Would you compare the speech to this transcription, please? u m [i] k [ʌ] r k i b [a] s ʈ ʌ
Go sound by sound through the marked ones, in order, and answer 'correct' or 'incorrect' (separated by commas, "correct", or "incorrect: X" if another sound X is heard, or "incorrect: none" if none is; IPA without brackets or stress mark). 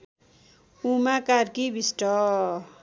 incorrect: a, incorrect: a, incorrect: i